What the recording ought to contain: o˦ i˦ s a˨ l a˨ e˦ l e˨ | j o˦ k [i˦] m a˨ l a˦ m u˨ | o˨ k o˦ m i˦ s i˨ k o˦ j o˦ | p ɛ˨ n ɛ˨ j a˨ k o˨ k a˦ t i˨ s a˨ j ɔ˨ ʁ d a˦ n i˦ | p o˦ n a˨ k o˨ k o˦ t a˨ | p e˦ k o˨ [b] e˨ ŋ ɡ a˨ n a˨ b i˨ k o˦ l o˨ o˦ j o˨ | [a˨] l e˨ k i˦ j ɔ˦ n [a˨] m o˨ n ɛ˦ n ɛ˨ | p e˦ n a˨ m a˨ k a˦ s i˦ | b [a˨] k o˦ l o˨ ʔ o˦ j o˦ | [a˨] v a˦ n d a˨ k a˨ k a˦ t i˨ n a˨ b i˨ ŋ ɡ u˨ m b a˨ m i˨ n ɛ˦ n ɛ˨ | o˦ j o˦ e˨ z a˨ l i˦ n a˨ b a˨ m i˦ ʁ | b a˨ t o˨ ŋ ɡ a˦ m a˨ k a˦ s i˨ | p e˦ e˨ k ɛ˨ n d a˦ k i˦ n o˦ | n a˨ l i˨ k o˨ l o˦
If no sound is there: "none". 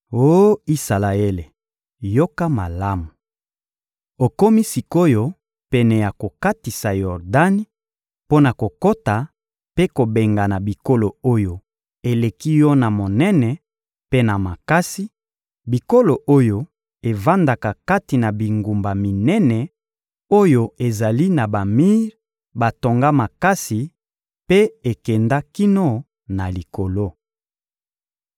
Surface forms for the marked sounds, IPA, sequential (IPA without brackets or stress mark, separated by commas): a˦, b, e˨, a˨, i˨, e˨